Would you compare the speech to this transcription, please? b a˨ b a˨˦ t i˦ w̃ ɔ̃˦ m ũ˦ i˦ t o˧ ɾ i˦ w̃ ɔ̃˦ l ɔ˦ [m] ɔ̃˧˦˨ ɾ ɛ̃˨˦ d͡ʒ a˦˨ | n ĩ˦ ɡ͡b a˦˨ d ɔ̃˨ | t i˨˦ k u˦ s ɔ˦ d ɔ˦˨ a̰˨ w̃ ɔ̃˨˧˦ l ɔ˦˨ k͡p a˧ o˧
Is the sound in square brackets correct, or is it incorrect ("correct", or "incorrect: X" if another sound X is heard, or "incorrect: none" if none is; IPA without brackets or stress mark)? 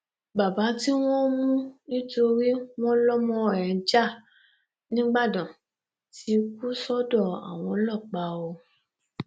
correct